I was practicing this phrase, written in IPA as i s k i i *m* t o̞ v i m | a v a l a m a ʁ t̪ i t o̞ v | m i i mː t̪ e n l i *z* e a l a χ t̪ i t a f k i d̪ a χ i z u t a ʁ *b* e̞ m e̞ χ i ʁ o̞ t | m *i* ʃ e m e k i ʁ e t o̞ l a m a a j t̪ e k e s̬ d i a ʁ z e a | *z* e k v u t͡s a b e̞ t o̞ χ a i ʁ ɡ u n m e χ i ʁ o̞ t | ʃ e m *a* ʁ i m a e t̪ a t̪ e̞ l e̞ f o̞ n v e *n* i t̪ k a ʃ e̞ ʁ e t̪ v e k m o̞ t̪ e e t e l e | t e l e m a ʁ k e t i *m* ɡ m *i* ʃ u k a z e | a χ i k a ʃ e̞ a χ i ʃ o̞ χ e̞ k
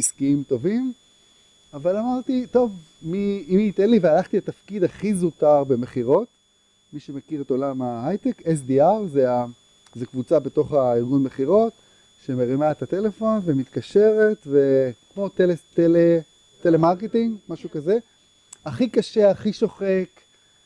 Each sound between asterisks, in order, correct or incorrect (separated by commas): correct, incorrect, correct, correct, correct, incorrect, incorrect, incorrect, incorrect